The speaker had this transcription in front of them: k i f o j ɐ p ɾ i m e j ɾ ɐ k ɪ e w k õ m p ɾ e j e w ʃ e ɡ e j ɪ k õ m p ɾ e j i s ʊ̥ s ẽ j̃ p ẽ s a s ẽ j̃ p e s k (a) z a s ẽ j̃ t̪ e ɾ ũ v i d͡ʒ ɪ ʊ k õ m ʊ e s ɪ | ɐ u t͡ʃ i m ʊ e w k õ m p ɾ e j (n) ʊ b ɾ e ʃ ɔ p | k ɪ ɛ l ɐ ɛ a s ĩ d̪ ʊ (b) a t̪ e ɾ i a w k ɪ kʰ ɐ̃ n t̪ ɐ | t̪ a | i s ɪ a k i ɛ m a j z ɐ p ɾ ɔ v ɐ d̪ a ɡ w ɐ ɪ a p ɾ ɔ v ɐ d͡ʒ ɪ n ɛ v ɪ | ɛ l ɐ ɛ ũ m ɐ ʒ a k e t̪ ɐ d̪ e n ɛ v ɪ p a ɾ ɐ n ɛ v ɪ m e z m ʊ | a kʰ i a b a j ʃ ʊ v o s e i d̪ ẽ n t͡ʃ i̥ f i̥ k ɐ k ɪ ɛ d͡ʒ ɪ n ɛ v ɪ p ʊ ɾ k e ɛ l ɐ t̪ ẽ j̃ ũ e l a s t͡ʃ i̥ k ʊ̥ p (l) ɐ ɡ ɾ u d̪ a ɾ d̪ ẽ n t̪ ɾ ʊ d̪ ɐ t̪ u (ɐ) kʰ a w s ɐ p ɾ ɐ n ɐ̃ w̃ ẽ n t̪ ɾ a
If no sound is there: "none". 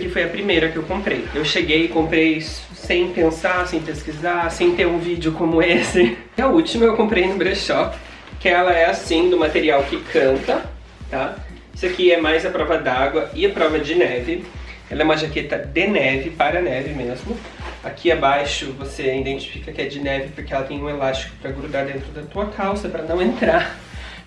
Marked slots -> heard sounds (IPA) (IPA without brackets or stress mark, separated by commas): i, n, m, ɾ, ɐ